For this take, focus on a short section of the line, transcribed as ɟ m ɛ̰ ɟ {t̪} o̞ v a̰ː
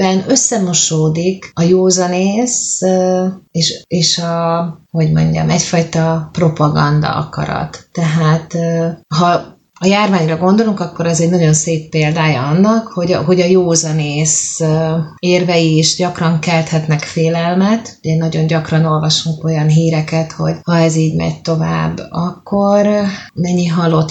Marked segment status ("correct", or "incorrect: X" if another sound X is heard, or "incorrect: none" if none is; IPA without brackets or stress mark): correct